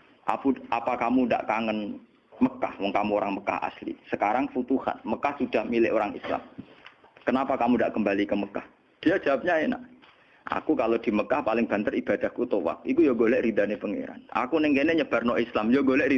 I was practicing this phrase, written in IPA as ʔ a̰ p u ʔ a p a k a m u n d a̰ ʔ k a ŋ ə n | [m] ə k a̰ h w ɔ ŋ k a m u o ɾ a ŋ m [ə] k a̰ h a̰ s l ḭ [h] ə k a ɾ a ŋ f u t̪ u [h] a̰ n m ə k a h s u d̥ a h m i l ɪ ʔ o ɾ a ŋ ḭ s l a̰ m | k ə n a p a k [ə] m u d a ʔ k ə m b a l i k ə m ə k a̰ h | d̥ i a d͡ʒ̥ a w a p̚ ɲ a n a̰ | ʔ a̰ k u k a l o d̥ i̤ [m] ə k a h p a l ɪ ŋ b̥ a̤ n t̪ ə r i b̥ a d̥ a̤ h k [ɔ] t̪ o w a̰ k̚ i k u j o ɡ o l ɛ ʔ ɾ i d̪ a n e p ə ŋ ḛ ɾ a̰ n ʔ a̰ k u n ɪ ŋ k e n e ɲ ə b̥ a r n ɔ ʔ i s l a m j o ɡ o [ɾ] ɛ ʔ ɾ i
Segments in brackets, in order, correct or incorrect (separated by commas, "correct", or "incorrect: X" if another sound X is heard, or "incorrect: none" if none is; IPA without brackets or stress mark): correct, correct, incorrect: s, correct, incorrect: a, correct, incorrect: u, incorrect: l